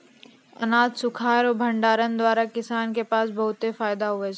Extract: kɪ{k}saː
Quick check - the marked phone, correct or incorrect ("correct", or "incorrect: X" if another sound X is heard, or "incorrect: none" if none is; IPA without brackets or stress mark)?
incorrect: none